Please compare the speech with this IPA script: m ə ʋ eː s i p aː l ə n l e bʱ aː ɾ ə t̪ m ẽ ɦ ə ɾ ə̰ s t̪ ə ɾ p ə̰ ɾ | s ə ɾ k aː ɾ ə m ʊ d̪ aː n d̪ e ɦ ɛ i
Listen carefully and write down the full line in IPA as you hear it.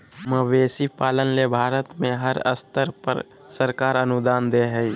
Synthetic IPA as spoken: m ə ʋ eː s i p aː l ə n l e bʱ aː ɾ ə t̪ m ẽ ɦ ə ɾ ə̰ s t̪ ə ɾ p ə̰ ɾ | s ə ɾ k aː ɾ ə n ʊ d̪ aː n d̪ e ɦ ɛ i